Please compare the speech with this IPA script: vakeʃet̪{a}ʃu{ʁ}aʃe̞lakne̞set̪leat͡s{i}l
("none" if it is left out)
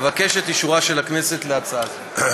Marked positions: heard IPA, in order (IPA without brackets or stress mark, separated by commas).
i, ʁ, a